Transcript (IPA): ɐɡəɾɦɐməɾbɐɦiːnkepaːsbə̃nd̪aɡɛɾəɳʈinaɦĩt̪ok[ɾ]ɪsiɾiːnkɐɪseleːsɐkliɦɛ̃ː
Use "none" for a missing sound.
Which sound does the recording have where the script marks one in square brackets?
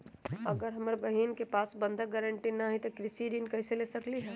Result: ɾ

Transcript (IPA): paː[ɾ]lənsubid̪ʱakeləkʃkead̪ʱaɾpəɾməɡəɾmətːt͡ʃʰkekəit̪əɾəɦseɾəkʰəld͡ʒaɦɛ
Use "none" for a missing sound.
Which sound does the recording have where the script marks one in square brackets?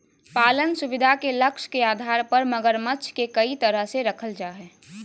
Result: none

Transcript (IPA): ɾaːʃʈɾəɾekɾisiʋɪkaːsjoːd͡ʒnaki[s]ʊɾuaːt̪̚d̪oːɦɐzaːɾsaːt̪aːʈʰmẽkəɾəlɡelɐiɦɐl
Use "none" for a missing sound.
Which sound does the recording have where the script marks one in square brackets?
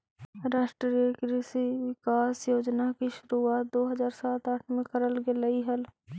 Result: ʃ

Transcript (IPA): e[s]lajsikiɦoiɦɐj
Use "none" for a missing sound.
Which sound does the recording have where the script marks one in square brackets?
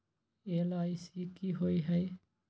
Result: none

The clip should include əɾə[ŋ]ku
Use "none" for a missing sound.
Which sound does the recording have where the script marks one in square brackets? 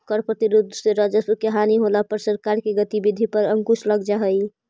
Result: ŋ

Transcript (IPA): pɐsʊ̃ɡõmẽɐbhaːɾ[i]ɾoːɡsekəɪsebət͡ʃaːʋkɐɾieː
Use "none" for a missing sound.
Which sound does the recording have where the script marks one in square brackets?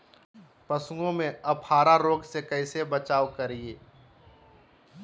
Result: a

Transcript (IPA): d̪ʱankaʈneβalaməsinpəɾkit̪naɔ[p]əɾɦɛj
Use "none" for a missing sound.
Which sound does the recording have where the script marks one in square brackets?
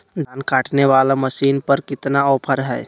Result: pʰ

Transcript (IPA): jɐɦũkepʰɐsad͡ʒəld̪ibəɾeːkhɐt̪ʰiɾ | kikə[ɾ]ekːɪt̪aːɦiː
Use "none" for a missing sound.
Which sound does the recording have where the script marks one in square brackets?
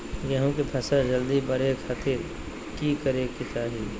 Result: ɾ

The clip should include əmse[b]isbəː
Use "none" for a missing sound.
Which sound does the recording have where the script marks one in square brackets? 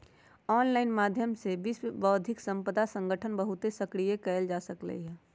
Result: b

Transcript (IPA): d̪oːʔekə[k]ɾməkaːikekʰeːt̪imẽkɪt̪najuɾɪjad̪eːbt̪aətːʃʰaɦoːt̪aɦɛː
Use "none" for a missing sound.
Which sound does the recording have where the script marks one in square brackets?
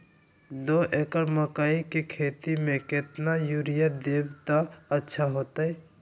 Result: none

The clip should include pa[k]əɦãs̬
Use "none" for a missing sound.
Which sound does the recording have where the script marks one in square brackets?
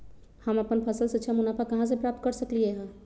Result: k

